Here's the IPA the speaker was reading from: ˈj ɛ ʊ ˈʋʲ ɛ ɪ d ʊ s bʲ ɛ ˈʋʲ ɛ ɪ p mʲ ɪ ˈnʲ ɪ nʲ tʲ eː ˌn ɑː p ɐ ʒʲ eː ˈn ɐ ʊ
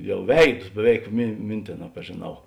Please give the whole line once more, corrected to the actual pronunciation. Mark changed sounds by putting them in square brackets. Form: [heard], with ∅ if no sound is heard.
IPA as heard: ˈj ɛ ʊ ˈʋʲ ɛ ɪ d ʊ s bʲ ɛ ˈʋʲ ɛ ɪ [k] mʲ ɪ [ˈmʲ] ɪ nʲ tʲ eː ˌn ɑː p ɐ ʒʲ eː ˈn ɐ ʊ